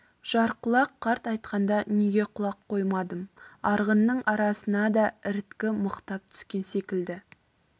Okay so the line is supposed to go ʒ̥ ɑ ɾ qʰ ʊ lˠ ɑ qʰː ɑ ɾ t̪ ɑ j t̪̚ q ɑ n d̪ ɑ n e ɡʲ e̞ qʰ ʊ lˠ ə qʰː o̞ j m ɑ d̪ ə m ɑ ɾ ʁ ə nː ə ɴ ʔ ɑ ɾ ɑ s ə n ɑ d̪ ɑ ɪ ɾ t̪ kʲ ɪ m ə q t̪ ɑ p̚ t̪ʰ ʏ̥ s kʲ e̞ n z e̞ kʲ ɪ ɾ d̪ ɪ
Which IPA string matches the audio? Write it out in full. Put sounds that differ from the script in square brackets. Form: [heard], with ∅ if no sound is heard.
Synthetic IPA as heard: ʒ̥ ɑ ɾ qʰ ʊ lˠ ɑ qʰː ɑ ɾ t̪ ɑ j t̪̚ q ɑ n d̪ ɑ n e ɡʲ e̞ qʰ ʊ lˠ [ɑ] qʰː o̞ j m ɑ d̪ ə m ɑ ɾ ʁ ə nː ə ɴ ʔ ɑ ɾ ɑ s ə n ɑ d̪ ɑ ɪ ɾ t̪ kʲ ɪ m ə q t̪ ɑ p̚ t̪ʰ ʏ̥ s kʲ e̞ n [s] e̞ kʲ ɪ [l] d̪ ɪ